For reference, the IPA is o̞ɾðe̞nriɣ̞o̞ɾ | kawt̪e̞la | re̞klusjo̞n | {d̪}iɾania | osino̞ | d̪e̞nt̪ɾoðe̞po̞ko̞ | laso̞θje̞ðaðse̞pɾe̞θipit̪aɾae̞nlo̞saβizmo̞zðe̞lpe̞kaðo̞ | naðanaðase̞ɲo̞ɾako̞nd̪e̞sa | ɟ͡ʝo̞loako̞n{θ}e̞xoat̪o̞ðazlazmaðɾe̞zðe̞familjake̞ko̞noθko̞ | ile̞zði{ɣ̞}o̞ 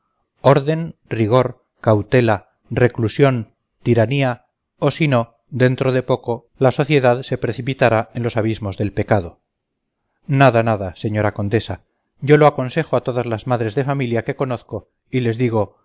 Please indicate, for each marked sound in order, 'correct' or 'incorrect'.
incorrect: t̪, incorrect: s, correct

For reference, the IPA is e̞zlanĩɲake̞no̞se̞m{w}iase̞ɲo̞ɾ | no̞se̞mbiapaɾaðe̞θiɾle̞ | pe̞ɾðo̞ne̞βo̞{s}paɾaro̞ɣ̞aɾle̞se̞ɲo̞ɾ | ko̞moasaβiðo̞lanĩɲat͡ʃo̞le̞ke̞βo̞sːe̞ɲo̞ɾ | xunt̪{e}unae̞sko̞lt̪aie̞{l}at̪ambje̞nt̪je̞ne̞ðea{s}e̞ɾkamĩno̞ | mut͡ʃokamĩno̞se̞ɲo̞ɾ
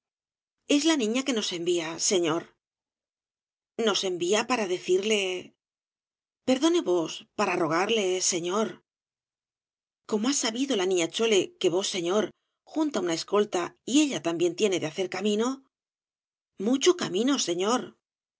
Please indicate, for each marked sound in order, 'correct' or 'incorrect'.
incorrect: b, correct, incorrect: a, incorrect: ʎ, incorrect: θ

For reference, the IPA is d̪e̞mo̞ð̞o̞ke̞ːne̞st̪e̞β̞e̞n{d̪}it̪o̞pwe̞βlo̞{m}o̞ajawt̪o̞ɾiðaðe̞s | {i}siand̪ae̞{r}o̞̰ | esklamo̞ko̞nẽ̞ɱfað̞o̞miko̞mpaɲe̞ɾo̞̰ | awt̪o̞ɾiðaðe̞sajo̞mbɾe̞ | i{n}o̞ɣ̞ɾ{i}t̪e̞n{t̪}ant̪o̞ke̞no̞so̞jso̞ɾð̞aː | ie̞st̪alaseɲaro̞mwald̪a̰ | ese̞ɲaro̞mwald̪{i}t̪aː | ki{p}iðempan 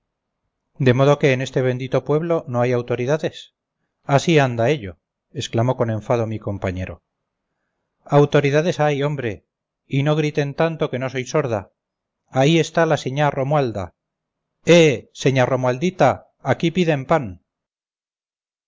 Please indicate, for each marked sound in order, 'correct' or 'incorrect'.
correct, incorrect: n, incorrect: a, incorrect: ʎ, correct, correct, correct, correct, correct

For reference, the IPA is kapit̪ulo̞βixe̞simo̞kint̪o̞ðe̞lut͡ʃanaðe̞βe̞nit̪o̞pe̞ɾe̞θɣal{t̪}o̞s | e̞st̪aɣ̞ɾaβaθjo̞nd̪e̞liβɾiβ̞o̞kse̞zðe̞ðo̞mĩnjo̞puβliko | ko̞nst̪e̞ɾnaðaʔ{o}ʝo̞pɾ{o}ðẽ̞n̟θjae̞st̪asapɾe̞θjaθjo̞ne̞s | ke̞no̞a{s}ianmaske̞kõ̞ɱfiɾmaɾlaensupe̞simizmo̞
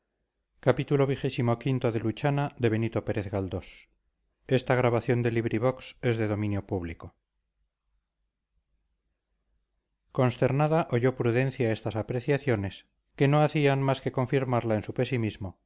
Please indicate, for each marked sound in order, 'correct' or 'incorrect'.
incorrect: d̪, correct, incorrect: u, incorrect: θ

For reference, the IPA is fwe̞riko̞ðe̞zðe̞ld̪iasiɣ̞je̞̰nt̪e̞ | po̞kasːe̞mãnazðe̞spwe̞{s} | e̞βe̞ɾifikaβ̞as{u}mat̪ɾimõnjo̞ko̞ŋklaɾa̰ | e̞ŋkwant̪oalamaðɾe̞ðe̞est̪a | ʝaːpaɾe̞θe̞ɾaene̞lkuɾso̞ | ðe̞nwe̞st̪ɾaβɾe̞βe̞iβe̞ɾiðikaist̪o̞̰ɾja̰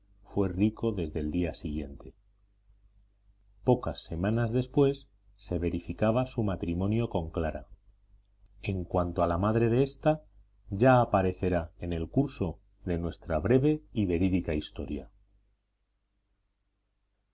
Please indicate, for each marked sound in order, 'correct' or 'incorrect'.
incorrect: sː, correct

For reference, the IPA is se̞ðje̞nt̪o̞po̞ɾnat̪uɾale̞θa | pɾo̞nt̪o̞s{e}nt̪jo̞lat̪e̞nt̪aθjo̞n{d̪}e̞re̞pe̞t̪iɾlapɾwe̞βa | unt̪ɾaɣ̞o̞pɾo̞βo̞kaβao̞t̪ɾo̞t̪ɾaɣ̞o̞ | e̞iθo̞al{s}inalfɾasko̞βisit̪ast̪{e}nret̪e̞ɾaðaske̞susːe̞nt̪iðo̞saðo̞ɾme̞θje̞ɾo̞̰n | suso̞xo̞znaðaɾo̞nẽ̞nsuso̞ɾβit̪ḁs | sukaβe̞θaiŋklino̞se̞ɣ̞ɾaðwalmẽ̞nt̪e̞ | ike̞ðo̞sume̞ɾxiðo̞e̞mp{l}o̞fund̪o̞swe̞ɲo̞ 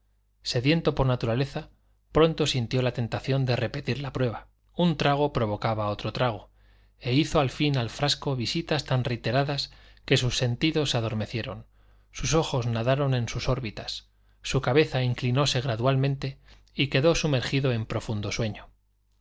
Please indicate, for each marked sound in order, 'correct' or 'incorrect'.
incorrect: i, correct, incorrect: f, incorrect: a, incorrect: ɾ

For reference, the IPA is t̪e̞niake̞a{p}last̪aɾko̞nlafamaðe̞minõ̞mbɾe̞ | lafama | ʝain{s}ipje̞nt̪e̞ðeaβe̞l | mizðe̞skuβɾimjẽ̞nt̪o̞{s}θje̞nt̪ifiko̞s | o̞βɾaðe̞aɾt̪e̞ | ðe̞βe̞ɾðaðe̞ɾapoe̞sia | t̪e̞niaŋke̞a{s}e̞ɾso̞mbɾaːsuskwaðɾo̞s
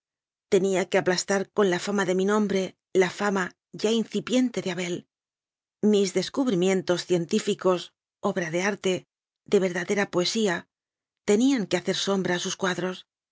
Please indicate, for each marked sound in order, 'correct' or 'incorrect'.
correct, incorrect: θ, correct, incorrect: θ

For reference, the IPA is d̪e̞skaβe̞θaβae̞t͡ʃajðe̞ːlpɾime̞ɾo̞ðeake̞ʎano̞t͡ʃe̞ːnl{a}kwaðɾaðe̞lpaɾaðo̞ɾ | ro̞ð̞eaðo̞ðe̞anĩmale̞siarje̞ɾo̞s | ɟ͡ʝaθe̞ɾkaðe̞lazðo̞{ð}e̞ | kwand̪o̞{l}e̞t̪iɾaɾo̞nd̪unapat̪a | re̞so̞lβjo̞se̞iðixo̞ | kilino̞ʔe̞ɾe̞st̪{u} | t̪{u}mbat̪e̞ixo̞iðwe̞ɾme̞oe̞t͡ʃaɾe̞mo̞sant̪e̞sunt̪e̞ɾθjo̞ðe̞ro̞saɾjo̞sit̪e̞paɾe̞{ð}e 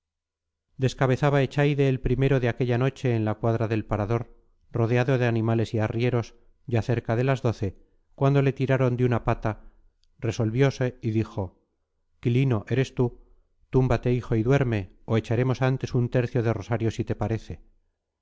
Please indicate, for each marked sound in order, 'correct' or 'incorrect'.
correct, incorrect: θ, correct, correct, correct, incorrect: θ

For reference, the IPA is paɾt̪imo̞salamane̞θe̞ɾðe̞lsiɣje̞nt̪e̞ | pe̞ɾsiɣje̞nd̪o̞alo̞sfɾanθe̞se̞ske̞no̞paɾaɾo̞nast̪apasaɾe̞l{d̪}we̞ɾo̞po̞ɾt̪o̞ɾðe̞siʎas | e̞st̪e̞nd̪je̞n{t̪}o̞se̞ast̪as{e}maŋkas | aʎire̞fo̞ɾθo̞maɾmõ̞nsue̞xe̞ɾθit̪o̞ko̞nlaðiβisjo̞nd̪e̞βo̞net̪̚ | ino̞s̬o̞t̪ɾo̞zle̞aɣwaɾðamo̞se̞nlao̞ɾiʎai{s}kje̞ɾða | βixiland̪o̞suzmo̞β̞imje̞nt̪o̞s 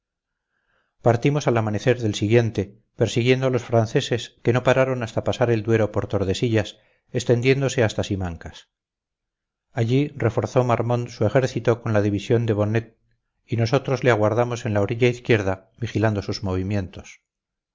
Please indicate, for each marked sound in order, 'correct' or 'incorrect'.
correct, incorrect: d̪, incorrect: i, incorrect: θ

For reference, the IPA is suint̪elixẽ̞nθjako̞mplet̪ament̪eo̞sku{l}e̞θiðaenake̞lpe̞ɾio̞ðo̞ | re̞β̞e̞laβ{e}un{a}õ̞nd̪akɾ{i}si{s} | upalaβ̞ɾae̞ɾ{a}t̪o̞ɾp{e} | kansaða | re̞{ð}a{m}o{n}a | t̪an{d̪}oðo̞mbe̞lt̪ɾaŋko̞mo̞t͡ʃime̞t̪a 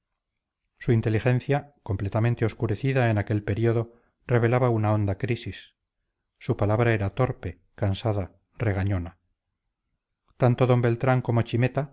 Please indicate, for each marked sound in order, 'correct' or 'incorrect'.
incorrect: ɾ, incorrect: a, correct, correct, incorrect: sː, correct, correct, incorrect: ɣ, incorrect: ɲ, correct, incorrect: t̪

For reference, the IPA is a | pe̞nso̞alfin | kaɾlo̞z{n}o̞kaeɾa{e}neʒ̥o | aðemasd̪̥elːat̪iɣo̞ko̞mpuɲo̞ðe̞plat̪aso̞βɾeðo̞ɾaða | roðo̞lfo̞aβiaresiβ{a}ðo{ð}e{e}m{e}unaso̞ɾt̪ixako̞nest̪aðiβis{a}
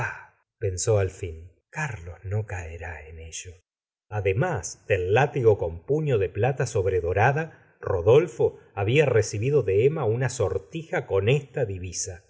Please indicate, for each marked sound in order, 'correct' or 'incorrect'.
correct, correct, incorrect: i, correct, correct, incorrect: a, correct

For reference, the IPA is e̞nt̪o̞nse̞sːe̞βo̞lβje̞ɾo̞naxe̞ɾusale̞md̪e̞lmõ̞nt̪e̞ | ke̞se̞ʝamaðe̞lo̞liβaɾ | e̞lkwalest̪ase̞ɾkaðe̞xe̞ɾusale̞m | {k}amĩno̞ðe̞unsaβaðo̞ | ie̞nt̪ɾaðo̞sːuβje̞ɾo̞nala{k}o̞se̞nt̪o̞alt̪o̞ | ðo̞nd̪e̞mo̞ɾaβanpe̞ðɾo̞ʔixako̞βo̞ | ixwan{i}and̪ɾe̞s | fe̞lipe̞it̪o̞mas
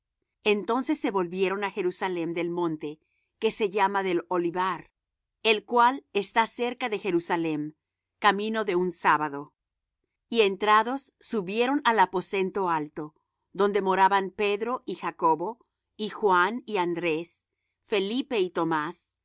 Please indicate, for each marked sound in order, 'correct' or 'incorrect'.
correct, incorrect: p, correct

